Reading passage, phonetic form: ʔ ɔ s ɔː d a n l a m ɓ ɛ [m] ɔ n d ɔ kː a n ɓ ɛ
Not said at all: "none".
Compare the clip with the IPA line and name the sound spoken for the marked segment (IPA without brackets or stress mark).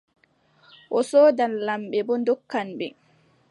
b